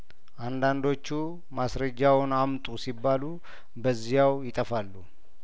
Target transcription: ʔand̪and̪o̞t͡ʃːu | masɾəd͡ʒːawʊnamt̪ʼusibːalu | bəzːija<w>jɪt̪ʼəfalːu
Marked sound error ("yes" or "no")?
no